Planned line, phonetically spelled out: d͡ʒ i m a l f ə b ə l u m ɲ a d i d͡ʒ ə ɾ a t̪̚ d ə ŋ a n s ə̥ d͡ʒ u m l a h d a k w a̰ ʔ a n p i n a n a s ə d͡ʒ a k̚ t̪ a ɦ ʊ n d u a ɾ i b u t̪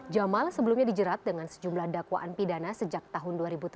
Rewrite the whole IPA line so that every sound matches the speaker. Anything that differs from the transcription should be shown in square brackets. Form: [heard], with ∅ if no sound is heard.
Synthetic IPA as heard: d͡ʒ [a] m a l [s] ə b ə l u m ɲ a d i d͡ʒ ə ɾ a t̪̚ d ə ŋ a n s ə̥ d͡ʒ u m l a h d a k w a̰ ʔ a n p i [d] a n a s ə d͡ʒ a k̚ t̪ a ɦ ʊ n d u a ɾ i b u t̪